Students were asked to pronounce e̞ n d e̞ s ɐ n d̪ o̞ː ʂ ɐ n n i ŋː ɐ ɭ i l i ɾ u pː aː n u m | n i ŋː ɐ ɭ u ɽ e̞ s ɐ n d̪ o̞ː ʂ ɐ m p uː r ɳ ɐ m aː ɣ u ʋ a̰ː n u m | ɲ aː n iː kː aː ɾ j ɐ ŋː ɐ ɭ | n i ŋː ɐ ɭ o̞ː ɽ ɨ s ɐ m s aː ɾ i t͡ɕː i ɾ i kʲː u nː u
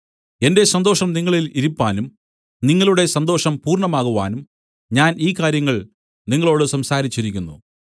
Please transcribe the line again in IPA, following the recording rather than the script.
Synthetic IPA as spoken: e̞ n d e̞ s ɐ n d̪ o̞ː ʂ ɐ m n i ŋː ɐ ɭ i l i ɾ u pː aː n u m | n i ŋː ɐ ɭ u ɽ e̞ s ɐ n d̪ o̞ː ʂ ɐ m p uː r ɳ ɐ m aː ɣ u ʋ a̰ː n u m | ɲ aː n iː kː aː ɾ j ɐ ŋː ɐ ɭ | n i ŋː ɐ ɭ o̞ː ɽ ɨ s ɐ m s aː ɾ i t͡ɕː i ɾ i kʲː u nː u

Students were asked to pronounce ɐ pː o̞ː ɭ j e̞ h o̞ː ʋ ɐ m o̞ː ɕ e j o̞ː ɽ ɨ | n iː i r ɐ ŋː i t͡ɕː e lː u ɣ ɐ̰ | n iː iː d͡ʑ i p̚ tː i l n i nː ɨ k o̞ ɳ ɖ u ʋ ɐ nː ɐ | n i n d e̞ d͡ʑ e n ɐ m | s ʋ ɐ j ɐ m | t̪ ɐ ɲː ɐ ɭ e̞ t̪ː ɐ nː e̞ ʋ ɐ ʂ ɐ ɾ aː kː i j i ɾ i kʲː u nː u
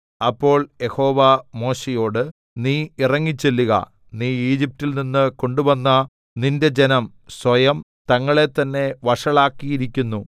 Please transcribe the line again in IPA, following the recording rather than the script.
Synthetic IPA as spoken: ɐ pː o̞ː ɭ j e̞ h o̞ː ʋ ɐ m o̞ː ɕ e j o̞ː ɽ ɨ | n iː i r ɐ ŋː i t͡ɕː e lː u ɣ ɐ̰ | n iː iː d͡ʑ i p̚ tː i l n i nː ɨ k o̞ ɳ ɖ u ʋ ɐ nː ɐ | n i n d e̞ d͡ʑ e n ɐ m | s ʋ ɐ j ɐ m | t̪ ɐ ŋː ɐ ɭ e̞ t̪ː ɐ nː e̞ ʋ ɐ ʂ ɐ ɭ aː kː i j i ɾ i kʲː u nː u

